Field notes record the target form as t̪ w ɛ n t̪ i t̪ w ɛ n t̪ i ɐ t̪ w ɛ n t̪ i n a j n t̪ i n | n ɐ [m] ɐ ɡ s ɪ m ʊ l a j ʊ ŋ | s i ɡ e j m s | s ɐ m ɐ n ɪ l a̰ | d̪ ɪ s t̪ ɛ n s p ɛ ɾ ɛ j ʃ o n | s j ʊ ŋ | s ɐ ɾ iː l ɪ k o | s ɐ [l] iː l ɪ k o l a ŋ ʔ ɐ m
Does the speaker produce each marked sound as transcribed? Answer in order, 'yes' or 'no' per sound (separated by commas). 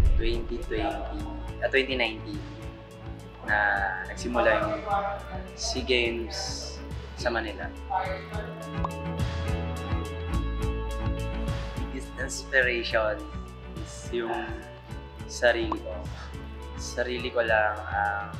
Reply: no, no